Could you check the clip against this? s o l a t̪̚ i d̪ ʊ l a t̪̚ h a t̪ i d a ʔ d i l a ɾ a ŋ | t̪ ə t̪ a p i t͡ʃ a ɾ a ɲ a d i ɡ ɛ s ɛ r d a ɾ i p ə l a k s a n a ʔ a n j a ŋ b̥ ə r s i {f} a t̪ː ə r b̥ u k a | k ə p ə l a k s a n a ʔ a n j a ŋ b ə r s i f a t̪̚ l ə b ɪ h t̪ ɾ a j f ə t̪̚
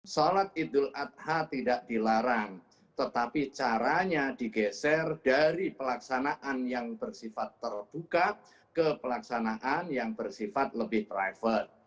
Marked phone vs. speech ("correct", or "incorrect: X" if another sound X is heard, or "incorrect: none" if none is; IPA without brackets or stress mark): correct